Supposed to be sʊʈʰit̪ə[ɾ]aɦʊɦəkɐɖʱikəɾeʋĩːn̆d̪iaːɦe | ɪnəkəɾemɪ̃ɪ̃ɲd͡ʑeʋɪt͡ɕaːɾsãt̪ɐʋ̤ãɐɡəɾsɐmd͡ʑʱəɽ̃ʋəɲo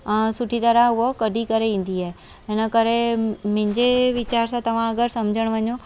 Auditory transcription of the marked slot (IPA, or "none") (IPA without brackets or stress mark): ɾ